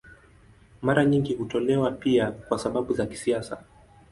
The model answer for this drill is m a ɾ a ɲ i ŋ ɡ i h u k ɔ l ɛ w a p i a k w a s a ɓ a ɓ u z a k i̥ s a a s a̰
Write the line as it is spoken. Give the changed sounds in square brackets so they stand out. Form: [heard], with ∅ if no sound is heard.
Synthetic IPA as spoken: m a ɾ a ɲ i ŋ ɡ i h u [t] ɔ l ɛ w a p i a k w a s a ɓ a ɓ u z a k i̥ s [i] a s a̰